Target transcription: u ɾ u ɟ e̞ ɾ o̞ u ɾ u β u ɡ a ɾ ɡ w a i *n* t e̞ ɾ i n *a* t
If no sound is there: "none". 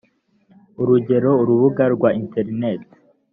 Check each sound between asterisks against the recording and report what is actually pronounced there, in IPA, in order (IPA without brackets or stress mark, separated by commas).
n, e